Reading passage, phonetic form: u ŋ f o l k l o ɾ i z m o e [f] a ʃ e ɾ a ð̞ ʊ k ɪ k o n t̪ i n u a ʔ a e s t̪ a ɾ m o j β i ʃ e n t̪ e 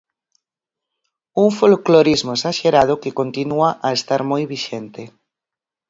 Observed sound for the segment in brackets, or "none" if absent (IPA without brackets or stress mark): s